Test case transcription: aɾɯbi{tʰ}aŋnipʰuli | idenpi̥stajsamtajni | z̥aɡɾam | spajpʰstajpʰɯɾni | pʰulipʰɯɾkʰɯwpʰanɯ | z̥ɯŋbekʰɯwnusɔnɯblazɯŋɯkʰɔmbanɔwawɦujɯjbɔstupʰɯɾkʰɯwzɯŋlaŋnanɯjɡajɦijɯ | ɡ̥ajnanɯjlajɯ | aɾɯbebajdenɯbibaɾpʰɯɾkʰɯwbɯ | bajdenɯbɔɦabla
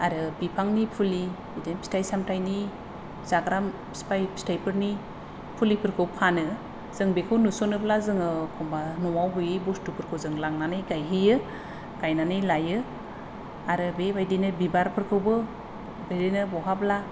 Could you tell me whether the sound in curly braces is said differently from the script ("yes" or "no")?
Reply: yes